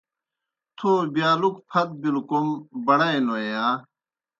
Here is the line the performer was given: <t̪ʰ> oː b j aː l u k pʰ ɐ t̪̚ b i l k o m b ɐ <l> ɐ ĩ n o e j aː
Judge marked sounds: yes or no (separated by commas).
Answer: yes, no